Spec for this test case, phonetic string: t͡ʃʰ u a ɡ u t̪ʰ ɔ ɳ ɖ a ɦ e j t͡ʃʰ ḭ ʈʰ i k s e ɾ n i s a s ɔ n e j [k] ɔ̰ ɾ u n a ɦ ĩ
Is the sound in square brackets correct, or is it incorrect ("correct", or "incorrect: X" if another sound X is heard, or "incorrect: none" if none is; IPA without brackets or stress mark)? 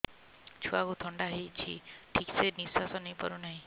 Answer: incorrect: p